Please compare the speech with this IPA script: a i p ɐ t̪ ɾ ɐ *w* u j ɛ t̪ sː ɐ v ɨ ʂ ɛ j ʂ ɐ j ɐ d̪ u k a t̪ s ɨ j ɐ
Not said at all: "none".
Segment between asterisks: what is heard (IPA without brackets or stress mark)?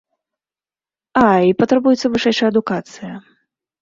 b